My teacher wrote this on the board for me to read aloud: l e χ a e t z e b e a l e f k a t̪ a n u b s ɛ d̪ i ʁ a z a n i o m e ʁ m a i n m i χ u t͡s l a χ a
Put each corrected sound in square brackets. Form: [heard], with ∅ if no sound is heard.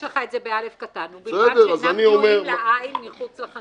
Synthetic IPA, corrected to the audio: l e χ a e t z e b e a l e f k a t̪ a n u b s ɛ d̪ [e] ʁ a z a n i o m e ʁ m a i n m i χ u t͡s l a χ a